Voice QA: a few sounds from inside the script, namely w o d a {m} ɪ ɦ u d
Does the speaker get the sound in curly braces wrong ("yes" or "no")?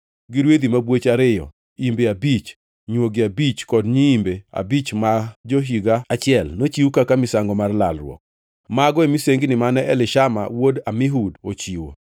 no